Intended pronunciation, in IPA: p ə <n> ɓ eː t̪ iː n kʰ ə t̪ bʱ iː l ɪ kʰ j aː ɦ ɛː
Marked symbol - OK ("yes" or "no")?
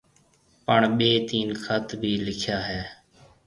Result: no